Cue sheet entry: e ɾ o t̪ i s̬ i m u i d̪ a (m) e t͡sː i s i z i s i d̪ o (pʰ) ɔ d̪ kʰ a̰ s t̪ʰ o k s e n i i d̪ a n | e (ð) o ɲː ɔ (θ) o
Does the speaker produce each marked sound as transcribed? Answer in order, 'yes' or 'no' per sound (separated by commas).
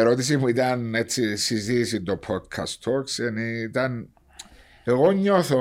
no, yes, no, yes